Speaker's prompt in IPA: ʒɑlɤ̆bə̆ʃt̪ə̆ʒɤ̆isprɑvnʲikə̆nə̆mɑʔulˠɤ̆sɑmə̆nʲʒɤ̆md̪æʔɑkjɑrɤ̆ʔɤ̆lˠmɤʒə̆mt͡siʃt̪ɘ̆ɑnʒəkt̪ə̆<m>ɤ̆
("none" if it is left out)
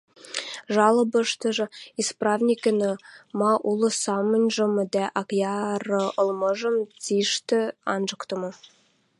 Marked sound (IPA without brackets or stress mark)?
m